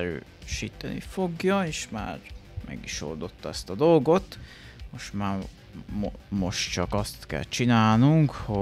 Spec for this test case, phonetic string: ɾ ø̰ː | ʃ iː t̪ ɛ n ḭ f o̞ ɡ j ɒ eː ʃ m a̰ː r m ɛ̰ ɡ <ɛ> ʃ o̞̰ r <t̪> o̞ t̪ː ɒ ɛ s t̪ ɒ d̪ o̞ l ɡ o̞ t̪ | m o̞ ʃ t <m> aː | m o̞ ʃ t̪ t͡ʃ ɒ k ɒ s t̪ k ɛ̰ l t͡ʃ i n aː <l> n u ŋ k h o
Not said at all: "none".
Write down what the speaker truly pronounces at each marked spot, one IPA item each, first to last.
i, d̪, m, l

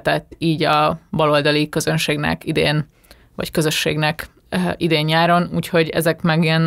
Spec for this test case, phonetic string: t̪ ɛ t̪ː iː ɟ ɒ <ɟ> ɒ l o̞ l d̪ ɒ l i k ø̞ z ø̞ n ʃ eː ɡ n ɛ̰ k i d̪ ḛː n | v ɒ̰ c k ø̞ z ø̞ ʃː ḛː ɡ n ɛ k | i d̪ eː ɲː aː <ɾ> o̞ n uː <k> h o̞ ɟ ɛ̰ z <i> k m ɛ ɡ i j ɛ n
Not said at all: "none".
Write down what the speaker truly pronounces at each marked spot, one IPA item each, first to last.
b, ɾ, c, ɛ

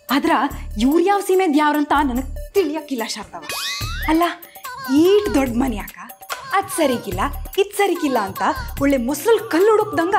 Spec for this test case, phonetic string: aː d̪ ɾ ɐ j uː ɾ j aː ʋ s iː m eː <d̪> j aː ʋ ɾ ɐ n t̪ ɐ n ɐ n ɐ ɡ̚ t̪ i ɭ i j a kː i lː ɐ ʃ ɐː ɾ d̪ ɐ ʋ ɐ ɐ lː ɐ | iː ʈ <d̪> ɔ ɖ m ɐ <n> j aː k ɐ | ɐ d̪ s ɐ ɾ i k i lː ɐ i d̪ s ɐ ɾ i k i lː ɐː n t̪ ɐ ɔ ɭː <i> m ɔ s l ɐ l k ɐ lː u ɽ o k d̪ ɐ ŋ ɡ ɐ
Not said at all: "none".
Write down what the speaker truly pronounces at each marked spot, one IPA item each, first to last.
d̪, d̪, n, e

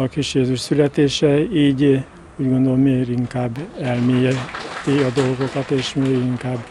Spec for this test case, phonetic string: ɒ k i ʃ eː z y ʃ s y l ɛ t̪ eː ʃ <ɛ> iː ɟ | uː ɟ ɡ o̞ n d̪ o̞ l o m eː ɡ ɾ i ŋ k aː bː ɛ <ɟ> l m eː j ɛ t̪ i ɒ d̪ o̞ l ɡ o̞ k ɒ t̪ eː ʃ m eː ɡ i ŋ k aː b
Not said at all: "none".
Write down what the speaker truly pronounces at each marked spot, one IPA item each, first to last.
ɛ, none

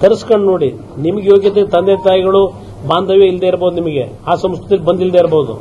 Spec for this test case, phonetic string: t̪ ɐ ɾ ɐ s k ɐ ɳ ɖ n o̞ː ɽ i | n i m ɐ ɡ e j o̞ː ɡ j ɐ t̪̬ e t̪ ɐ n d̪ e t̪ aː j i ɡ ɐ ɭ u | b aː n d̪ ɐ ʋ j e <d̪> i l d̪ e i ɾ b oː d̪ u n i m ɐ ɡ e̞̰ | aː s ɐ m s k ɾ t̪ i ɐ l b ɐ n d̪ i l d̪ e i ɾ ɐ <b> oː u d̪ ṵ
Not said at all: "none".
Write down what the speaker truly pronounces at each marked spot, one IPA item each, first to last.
none, b

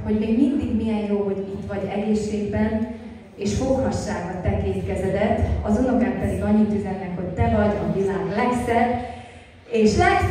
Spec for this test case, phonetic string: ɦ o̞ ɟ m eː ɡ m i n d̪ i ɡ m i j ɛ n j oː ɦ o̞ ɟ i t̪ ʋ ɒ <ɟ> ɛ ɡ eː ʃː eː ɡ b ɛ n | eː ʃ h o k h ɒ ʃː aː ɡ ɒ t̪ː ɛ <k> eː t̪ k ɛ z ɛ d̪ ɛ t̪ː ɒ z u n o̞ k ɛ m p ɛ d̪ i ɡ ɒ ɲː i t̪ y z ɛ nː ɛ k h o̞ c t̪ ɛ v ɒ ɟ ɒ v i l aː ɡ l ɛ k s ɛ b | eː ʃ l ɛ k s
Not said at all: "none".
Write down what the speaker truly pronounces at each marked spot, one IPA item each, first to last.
ɟ, k

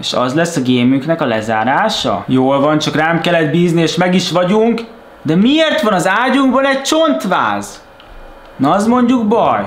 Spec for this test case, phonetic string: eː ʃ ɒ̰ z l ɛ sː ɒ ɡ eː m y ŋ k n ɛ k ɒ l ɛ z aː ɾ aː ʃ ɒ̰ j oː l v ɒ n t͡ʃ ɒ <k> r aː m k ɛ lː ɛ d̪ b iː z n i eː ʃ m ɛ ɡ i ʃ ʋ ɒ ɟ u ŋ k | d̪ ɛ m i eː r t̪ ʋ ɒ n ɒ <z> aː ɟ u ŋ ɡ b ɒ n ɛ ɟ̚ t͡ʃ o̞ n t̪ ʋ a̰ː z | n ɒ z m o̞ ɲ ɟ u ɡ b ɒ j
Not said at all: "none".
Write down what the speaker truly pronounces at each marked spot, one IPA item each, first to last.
k, z

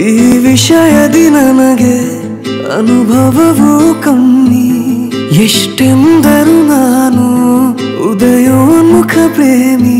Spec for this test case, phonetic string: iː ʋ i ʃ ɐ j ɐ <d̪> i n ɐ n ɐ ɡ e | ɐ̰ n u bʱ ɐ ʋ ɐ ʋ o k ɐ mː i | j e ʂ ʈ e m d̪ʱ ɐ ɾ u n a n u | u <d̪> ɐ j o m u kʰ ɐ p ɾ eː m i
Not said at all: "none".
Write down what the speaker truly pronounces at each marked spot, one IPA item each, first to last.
d̪, d̪

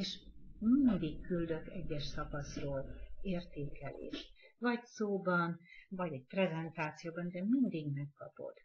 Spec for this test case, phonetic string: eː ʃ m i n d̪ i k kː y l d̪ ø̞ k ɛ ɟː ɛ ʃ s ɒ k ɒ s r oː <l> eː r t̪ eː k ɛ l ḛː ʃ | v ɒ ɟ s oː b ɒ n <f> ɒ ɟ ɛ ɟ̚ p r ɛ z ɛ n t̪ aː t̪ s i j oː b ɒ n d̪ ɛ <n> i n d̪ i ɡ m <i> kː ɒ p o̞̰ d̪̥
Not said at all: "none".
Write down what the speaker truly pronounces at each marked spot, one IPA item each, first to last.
l, v, m, ɛ

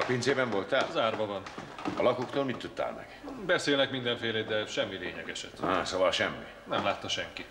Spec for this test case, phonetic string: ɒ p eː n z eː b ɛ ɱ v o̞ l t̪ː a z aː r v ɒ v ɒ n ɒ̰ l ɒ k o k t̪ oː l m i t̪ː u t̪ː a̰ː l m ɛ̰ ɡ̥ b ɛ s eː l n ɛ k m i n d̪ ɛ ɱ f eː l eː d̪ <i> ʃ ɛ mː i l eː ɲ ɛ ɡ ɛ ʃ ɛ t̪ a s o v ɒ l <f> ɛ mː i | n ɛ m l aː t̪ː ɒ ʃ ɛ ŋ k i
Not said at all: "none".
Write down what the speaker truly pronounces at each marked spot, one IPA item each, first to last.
ɛ, ʃ

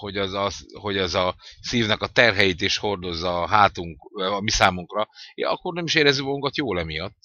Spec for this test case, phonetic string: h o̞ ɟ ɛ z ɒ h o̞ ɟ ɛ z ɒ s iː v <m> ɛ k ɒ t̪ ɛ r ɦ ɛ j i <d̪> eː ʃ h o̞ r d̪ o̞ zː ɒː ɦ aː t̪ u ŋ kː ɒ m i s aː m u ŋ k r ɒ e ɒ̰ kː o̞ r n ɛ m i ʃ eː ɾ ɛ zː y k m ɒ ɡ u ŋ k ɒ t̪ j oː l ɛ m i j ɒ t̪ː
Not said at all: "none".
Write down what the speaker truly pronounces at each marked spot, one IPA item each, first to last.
n, t̪

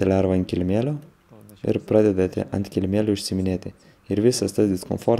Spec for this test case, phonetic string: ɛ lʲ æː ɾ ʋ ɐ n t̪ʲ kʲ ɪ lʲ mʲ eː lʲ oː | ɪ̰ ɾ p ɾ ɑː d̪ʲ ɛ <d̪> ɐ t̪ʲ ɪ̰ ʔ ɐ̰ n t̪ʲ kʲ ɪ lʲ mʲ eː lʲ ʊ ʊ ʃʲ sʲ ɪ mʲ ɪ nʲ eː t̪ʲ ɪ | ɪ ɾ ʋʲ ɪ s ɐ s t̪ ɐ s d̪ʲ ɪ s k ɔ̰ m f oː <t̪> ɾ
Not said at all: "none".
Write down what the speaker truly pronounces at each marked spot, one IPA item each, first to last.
d̪, none

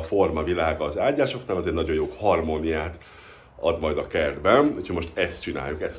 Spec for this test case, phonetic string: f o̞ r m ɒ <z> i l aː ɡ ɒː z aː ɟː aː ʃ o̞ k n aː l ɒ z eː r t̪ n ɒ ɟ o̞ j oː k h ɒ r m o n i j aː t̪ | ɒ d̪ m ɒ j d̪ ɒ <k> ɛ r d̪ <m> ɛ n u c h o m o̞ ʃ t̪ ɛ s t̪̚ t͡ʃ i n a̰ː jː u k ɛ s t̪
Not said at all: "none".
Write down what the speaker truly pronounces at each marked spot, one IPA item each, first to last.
v, k, b

